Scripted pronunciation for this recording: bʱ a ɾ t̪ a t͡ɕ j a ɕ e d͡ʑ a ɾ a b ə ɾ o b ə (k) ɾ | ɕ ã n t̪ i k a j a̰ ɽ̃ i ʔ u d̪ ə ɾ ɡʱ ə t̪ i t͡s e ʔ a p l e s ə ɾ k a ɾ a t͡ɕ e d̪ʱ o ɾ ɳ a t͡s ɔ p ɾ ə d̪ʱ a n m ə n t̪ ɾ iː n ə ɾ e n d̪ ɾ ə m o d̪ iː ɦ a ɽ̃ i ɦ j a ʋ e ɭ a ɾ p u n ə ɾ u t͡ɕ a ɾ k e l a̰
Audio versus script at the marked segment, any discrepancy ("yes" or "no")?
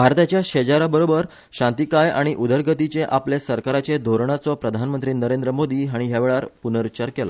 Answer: yes